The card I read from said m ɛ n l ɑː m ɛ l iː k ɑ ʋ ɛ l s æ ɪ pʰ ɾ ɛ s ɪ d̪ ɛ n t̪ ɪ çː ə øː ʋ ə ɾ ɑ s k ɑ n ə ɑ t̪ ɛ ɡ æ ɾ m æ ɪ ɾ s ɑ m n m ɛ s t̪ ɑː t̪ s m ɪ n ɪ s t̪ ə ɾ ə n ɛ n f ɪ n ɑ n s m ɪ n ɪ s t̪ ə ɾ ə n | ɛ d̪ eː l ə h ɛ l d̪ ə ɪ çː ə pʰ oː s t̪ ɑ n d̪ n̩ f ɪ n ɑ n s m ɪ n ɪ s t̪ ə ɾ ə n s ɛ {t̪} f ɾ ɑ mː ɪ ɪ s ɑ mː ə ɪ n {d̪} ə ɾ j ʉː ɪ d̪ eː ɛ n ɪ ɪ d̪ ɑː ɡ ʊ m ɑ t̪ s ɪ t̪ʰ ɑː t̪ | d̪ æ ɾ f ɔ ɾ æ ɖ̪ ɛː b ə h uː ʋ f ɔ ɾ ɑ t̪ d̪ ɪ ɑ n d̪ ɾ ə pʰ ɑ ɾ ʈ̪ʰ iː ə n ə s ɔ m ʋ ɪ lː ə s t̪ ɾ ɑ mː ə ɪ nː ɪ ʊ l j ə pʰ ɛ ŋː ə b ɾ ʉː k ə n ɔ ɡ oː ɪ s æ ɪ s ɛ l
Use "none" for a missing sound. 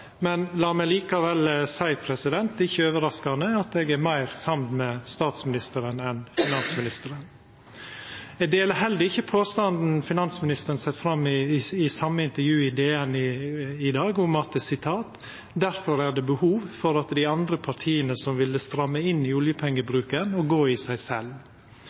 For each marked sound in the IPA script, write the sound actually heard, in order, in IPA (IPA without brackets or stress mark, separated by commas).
t̪, t̪